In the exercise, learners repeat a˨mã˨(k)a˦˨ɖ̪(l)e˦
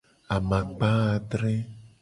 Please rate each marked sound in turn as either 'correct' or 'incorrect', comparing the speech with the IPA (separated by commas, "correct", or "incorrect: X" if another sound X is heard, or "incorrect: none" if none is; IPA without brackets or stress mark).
incorrect: k͡p, incorrect: ɾ